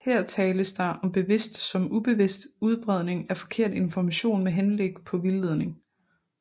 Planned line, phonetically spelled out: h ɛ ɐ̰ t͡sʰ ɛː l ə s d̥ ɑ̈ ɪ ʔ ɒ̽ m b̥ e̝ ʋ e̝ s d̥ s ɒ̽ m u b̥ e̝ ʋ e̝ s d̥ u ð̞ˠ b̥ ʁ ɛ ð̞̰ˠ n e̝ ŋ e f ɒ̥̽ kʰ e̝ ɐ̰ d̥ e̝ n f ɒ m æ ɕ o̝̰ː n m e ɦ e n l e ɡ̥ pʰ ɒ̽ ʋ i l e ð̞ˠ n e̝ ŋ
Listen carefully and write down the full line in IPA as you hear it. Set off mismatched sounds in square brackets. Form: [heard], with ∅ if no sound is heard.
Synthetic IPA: h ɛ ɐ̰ t͡sʰ ɛː l ə s d̥ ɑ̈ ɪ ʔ ɒ̽ m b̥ e̝ ʋ e̝ s d̥ s ɒ̽ m u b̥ e̝ ʋ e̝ s d̥ u ð̞ˠ b̥ ʁ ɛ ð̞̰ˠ n e̝ ŋ [æ] f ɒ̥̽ kʰ e̝ ɐ̰ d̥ e̝ n f ɒ m æ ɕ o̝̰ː n m e ɦ e n l e ɡ̥ pʰ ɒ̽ ʋ i l e ð̞ˠ n e̝ ŋ